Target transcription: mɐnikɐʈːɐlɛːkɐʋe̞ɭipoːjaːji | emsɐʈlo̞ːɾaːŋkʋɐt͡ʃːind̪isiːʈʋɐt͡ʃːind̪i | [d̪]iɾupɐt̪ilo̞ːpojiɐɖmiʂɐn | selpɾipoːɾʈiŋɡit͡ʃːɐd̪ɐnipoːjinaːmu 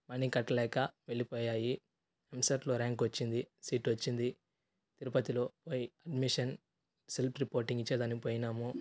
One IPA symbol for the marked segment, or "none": t̪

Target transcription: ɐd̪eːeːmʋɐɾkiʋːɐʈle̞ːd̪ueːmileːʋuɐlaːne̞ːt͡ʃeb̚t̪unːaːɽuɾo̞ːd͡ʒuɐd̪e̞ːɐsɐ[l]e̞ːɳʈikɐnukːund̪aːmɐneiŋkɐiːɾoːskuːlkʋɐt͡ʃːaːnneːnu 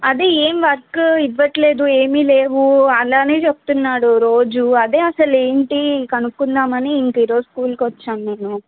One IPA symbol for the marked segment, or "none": l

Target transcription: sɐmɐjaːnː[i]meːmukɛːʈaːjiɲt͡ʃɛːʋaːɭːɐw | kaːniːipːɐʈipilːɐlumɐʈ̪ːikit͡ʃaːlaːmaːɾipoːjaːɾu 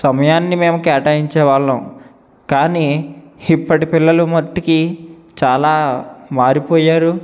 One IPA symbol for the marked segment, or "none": i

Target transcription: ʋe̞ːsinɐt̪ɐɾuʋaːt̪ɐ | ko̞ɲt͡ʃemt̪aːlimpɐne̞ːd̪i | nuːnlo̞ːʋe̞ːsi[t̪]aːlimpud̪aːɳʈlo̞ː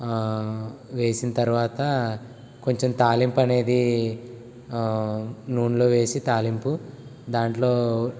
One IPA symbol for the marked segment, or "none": t̪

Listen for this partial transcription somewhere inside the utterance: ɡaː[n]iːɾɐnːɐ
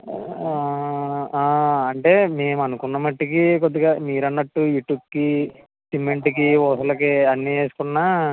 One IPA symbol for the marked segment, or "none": m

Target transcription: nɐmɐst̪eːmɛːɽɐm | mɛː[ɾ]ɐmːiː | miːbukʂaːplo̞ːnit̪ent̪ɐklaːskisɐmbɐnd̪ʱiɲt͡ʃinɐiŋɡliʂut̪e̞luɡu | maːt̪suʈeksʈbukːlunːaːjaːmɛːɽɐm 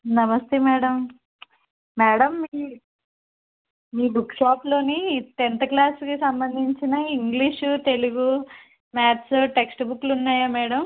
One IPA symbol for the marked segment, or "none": ɽ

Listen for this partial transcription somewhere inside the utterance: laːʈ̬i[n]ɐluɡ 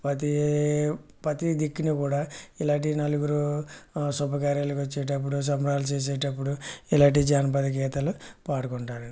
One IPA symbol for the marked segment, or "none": n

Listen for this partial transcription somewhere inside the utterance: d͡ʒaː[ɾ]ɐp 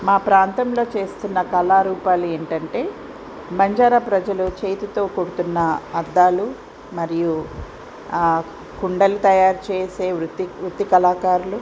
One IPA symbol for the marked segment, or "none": ɾ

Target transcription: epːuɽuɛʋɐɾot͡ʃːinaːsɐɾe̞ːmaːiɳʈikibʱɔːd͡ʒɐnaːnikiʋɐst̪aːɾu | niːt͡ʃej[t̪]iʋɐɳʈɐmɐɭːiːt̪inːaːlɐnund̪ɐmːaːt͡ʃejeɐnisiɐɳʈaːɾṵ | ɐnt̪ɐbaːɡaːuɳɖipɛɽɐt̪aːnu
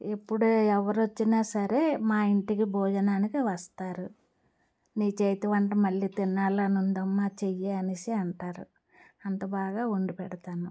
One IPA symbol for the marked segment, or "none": t̪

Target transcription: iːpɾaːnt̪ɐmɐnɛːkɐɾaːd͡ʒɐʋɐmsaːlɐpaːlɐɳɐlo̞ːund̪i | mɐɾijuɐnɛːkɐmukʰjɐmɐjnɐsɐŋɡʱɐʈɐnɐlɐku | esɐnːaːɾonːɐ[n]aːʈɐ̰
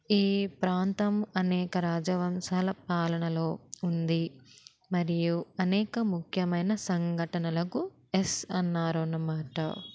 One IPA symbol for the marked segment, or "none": m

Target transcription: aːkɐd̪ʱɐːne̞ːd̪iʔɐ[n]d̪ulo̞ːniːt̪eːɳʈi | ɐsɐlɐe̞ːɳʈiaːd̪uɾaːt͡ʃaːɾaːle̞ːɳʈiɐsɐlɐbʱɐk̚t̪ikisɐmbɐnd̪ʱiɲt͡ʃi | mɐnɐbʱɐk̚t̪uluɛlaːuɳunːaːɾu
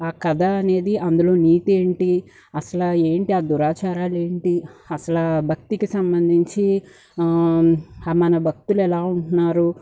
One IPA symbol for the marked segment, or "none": n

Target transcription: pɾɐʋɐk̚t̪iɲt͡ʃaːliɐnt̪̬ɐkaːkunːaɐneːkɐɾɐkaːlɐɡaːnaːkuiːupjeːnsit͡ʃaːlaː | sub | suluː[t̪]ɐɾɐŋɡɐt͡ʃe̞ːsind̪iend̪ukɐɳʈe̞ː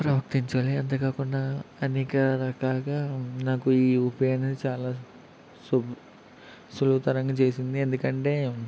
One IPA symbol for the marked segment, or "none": t̪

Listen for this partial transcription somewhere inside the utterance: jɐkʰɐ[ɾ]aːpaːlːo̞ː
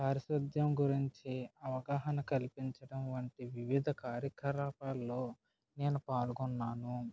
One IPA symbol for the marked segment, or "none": ɾ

